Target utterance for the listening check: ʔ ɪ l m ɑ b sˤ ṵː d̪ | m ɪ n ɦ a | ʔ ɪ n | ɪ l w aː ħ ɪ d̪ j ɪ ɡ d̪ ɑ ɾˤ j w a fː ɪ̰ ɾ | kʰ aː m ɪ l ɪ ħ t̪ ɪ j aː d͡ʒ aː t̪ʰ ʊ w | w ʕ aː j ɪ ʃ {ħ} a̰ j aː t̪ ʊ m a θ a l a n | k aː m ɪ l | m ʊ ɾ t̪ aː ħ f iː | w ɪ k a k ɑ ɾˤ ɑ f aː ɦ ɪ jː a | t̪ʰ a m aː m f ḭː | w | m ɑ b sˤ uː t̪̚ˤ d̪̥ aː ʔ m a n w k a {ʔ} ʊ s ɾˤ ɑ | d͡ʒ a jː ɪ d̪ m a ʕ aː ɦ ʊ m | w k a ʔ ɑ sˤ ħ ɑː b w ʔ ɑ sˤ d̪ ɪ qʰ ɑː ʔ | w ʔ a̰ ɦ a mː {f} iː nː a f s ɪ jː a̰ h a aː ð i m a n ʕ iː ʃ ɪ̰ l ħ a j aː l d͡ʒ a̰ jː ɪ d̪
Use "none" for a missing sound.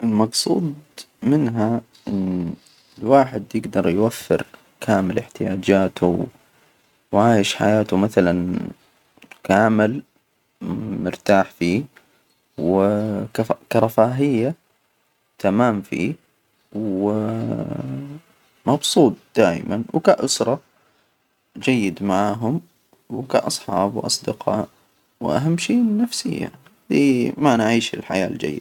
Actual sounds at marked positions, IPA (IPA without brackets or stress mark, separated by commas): ħ, ʔ, ʃ